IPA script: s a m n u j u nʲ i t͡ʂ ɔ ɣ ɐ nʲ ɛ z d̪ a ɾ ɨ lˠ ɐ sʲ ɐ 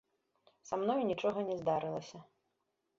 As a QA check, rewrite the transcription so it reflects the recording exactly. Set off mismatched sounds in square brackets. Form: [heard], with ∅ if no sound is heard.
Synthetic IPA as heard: s a m n [ɔ] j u nʲ i t͡ʂ ɔ ɣ ɐ nʲ ɛ z d̪ a ɾ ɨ lˠ ɐ sʲ ɐ